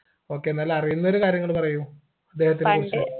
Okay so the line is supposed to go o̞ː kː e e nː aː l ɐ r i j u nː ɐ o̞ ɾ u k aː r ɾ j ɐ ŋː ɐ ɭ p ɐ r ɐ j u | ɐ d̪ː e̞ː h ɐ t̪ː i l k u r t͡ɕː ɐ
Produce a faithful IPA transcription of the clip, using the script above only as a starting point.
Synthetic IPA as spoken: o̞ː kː e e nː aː l ɐ r i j u nː ɐ o̞ ɾ u k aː ɾ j ɐ ŋː ɐ ɭ p ɐ r ɐ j u | ɐ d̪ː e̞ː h ɐ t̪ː i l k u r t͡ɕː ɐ